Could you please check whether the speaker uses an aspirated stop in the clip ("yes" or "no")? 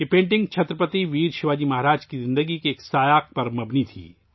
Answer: yes